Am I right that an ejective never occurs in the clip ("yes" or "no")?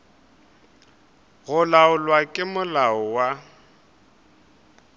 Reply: no